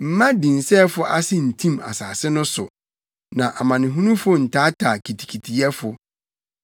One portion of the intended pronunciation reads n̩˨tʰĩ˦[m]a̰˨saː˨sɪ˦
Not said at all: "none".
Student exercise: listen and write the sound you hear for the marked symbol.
m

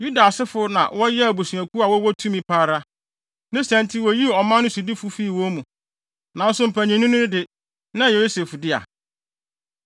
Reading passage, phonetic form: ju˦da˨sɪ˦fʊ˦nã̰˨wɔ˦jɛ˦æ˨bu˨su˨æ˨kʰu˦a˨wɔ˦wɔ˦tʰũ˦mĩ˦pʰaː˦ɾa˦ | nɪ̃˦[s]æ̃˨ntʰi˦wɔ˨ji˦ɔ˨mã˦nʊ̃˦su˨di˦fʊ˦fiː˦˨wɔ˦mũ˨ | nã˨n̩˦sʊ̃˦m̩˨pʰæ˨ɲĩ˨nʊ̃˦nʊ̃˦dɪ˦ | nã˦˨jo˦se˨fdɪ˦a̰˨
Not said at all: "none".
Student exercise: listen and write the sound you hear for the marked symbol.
s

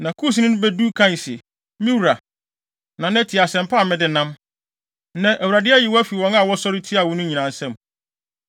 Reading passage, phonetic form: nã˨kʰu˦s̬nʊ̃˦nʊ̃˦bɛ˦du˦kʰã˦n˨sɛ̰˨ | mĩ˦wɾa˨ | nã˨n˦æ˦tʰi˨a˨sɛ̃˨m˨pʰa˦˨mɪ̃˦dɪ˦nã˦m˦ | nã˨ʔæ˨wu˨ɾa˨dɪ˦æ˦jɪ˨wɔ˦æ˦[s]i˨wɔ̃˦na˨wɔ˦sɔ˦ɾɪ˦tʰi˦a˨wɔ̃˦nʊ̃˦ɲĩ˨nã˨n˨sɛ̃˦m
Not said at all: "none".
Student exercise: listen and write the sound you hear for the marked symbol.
f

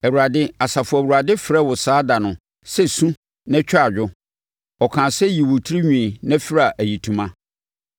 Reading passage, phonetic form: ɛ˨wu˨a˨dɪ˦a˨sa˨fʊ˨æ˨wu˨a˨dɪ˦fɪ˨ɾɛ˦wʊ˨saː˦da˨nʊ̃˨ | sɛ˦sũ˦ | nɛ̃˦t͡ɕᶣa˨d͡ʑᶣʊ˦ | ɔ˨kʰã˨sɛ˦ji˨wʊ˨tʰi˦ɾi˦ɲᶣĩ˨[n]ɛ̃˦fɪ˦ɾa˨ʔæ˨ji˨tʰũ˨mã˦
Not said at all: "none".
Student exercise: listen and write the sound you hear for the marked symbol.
n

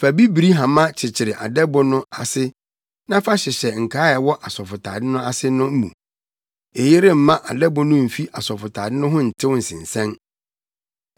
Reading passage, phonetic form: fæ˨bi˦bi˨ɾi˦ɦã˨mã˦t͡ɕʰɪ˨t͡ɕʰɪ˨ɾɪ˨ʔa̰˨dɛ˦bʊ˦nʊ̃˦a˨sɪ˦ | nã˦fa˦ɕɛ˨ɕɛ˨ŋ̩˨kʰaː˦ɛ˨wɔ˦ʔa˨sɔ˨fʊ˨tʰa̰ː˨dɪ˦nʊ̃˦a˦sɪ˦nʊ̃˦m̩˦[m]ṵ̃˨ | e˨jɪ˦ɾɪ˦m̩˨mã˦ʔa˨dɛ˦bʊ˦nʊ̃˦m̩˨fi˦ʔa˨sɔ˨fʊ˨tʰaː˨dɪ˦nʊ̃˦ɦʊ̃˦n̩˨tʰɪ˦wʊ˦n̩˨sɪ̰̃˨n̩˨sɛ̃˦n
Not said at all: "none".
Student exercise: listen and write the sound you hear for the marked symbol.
m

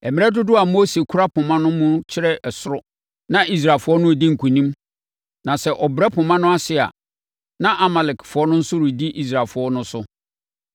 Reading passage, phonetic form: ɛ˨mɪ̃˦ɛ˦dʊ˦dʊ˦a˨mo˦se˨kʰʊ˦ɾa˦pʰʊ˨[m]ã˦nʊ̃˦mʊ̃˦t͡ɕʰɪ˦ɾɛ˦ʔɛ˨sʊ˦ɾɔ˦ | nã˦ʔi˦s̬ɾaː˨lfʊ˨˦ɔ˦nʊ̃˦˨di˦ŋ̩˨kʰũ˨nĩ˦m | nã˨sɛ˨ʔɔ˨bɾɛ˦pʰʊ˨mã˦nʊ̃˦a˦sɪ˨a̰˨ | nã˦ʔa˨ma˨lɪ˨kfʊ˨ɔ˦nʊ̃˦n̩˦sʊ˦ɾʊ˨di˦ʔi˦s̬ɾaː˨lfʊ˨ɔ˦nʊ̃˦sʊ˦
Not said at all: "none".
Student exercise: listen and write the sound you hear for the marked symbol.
m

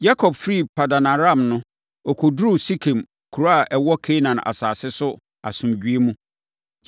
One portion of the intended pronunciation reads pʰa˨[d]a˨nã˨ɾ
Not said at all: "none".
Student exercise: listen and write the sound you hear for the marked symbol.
d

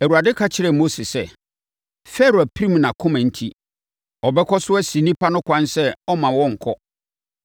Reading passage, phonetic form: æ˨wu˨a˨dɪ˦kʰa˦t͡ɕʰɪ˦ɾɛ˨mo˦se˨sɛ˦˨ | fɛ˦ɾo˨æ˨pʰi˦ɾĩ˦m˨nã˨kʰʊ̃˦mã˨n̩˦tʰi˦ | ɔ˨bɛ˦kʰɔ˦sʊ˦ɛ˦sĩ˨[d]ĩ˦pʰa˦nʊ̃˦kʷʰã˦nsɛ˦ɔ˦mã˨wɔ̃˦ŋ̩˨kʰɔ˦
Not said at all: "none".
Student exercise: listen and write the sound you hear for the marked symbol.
n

